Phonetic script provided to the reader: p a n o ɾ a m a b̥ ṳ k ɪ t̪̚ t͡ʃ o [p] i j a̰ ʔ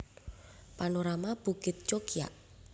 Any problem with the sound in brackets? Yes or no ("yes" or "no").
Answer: yes